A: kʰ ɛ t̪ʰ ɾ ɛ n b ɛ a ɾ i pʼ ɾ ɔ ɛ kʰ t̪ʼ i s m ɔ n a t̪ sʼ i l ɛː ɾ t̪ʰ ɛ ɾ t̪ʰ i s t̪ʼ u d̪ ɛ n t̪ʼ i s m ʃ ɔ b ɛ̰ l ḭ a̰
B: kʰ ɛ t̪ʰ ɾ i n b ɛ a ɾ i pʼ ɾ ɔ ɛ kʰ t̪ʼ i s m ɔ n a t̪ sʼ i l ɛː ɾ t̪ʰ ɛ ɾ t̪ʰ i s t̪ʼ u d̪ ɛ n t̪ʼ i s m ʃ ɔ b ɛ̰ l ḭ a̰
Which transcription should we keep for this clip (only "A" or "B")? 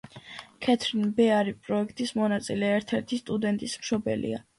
B